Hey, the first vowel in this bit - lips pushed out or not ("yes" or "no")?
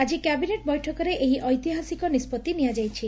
no